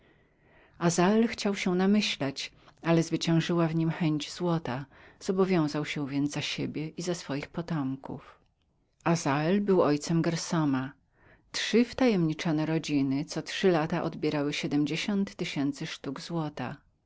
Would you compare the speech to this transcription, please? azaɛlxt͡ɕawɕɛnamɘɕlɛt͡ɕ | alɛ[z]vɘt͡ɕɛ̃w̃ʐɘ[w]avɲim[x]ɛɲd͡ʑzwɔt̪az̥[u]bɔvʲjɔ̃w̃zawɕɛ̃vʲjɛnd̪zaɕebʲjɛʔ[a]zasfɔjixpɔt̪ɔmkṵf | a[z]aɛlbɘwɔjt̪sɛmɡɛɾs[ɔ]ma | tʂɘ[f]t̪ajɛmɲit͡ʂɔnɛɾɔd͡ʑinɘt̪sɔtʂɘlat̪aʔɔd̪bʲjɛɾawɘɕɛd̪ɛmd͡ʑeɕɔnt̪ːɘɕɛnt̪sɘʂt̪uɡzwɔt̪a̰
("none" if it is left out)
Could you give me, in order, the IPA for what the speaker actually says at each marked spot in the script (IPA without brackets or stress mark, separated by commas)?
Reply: z, w, x, ɔ, i, z, ɔ, f